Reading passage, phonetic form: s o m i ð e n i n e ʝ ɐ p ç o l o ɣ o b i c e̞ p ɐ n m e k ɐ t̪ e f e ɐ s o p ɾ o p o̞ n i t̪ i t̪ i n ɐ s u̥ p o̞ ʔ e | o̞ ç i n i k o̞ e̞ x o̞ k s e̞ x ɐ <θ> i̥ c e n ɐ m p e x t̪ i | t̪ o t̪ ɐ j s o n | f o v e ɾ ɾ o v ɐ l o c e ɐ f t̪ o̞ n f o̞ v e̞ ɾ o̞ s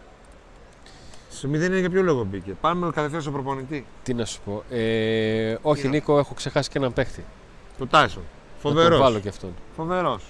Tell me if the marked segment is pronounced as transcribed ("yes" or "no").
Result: no